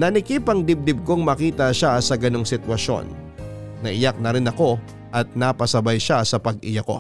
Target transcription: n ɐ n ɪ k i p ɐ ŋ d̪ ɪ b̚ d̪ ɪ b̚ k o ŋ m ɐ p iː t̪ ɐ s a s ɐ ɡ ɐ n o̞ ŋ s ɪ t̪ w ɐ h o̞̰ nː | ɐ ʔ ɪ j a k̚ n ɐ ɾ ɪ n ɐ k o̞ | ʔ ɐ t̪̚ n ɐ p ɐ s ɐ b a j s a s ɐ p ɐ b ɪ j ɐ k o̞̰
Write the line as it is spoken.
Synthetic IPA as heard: n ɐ n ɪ k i p ɐ ŋ d̪ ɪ b̚ d̪ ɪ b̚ k o ŋ m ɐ k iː t̪ ɐ ʃ a s ɐ ɡ ɐ n o̞ ŋ s ɪ t̪ w ɐ ʃ o̞̰ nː | ɐ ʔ ɪ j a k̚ n ɐ ɾ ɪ n ɐ k o̞ | ʔ ɐ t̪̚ n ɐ p ɐ s ɐ b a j ʃ a s ɐ p ɐ ɡ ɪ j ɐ k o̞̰